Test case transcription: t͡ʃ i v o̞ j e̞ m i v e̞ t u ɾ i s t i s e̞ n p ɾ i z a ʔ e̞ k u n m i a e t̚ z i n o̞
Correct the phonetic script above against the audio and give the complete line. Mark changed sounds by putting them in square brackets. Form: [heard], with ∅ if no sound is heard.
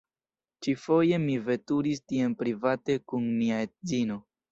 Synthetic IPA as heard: t͡ʃ i [f] o̞ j e̞ m i v e̞ t u ɾ i s t i [∅] e̞ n p ɾ i [v] a [t] e̞ k u n m i a e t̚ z i n o̞